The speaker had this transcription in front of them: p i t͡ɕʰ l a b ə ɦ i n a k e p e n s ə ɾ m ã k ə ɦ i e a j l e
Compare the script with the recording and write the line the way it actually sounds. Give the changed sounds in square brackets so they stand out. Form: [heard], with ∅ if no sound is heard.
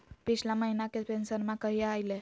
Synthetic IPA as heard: p i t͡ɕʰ l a [m] ə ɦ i n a k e p e n s ə ɾ m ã k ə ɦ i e a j l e